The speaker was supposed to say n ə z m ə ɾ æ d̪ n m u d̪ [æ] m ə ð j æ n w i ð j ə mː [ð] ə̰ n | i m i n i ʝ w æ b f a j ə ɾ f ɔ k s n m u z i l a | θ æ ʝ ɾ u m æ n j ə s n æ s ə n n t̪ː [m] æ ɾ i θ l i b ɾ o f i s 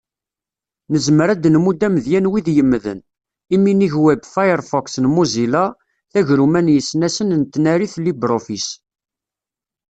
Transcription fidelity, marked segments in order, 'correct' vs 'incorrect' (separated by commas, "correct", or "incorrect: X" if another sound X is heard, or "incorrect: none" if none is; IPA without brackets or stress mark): correct, correct, incorrect: n